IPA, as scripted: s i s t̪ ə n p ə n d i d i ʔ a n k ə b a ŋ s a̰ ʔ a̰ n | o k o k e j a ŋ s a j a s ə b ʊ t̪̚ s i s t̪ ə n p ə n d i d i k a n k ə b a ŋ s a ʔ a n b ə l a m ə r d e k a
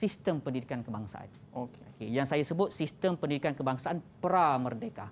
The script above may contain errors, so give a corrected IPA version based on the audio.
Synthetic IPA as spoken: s i s t̪ ə m p ə n d i d i k a n k ə b a ŋ s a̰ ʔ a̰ n | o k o k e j a ŋ s a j a s ə b ʊ t̪̚ s i s t̪ ə m p ə n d i d i k a n k ə b a ŋ s a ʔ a n p ə ɾ a m ə r d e k a